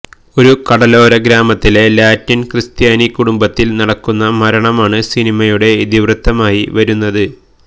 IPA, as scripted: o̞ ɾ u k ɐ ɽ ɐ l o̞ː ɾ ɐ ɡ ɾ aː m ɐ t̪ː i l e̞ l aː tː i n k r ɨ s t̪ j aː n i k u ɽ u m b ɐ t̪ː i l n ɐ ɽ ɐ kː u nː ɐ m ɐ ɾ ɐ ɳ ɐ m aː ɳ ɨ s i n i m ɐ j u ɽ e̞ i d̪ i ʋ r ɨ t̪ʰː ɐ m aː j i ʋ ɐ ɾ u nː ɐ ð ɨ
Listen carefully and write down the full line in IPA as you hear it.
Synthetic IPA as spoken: o̞ ɾ u k ɐ ɽ ɐ l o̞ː ɾ ɐ ɡ ɾ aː m ɐ t̪ː i l e̞ l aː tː i n k r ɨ s t̪ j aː n i k u ɽ u m b ɐ t̪ː i l n ɐ ɽ ɐ kː u nː ɐ m ɐ ɾ ɐ ɳ ɐ m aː ɳ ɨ s i n i m ɐ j u ɽ e̞ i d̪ i ʋ r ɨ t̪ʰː ɐ m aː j i ʋ ɐ ɾ u nː ɐ ð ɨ